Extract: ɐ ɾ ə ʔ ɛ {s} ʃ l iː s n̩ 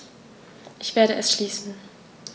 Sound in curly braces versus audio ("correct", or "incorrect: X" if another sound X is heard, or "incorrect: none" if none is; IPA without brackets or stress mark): correct